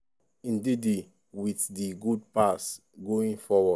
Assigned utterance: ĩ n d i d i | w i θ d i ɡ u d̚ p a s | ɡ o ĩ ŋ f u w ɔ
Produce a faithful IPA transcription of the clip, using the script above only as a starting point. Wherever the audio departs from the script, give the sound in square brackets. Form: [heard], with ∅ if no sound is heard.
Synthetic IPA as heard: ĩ n d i d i | w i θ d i ɡ u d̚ p a s | ɡ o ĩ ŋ f [ɔ] w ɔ